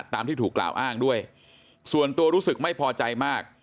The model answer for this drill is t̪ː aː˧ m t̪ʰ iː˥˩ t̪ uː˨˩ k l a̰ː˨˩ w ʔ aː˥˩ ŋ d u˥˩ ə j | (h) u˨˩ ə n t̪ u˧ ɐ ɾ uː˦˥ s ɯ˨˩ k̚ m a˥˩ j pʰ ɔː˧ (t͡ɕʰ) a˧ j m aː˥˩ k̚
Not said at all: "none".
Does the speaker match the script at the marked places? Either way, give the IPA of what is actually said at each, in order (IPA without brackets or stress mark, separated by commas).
s, t͡ɕ